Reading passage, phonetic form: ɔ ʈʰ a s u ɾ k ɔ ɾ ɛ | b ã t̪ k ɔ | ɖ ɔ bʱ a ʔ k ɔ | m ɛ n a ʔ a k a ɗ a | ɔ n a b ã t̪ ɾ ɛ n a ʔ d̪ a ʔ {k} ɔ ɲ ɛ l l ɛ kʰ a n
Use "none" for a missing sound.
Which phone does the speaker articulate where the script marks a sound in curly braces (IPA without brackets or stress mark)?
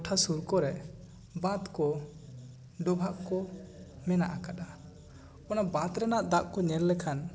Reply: k